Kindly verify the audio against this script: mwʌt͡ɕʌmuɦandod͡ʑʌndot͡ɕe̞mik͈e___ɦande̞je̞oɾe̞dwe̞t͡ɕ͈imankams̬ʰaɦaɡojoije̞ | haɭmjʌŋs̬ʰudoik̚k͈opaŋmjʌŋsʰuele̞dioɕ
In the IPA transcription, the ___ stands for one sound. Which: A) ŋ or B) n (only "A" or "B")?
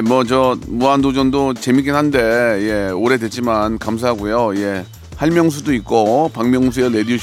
B